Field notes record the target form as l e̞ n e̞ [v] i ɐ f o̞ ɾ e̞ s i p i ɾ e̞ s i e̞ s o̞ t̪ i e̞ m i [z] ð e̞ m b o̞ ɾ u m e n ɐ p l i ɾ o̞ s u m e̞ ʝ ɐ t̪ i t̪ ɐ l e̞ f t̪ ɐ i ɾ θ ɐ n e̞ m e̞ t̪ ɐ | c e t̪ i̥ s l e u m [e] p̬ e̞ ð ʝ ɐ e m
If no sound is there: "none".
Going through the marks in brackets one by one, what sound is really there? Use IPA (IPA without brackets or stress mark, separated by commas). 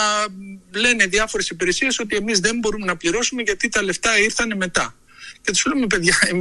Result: ð, z, e